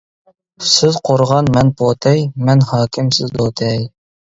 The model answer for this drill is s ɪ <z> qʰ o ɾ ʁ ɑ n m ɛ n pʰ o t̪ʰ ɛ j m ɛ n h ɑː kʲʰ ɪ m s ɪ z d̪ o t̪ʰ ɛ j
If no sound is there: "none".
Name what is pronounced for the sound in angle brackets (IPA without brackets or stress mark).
z